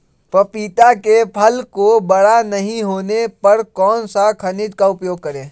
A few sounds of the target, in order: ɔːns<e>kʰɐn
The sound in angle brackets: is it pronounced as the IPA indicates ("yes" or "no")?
no